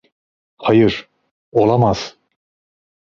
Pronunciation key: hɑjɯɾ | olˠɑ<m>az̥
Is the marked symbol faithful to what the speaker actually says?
yes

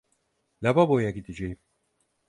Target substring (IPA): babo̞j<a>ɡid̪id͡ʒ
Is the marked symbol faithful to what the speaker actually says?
yes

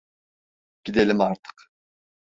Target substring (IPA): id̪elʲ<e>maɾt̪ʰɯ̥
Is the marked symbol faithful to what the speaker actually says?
no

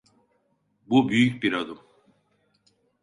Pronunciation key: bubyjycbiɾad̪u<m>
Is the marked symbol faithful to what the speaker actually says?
yes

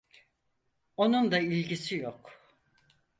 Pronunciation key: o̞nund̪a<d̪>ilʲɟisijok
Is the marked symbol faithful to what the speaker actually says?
no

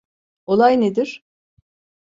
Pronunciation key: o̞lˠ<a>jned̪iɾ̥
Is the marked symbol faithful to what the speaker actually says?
yes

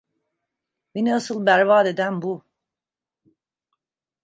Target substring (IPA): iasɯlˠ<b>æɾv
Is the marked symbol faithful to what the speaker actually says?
yes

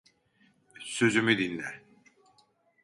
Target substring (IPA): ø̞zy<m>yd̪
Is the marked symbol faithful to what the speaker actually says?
yes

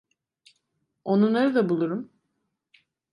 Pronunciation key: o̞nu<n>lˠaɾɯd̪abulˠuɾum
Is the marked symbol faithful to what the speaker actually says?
yes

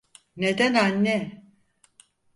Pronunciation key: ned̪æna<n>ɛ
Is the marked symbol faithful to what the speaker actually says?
no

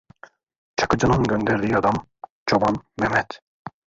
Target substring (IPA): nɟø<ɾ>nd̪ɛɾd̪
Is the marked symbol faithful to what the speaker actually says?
no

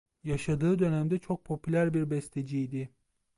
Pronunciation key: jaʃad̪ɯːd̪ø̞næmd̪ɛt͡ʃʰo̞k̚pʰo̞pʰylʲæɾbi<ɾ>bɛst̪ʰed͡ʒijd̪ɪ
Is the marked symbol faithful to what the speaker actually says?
yes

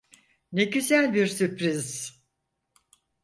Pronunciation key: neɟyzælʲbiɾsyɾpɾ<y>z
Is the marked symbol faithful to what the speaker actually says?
no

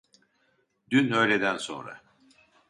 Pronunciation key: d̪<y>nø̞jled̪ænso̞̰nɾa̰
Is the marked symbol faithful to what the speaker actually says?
yes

